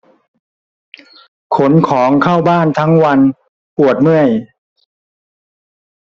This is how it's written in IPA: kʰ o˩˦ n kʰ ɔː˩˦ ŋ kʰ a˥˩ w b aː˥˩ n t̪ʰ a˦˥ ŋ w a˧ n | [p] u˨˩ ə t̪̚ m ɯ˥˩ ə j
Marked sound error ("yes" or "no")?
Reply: no